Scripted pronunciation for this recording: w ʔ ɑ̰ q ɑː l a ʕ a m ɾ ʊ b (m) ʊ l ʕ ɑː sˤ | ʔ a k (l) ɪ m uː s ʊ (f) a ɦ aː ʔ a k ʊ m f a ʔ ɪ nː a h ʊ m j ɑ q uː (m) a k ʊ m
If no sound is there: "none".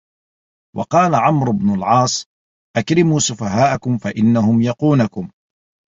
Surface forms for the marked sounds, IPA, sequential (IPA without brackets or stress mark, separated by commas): n, ɾ, f, n